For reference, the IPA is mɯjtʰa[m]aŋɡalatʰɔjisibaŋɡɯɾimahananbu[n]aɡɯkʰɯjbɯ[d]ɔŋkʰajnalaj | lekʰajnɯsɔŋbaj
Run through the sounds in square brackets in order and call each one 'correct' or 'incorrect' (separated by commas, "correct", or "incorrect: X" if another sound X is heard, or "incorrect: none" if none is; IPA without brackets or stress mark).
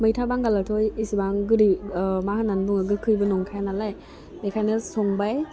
incorrect: b, incorrect: ŋ, incorrect: n